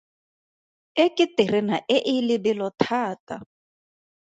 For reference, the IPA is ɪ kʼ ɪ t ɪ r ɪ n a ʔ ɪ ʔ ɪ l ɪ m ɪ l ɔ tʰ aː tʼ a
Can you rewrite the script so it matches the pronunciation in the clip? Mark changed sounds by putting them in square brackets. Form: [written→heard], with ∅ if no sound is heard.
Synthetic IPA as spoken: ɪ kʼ ɪ t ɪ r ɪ n a ʔ ɪ ʔ ɪ l ɪ [m→b] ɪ l ɔ tʰ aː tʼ a